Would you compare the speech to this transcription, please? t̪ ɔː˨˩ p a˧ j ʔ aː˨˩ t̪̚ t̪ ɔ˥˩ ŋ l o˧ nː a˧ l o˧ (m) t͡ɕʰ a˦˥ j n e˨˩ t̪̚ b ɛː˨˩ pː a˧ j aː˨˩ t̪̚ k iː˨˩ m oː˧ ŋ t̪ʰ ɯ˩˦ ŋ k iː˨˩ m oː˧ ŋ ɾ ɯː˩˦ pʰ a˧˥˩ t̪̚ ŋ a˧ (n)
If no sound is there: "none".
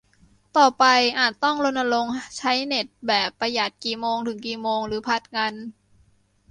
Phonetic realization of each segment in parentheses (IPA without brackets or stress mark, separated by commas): ŋ, n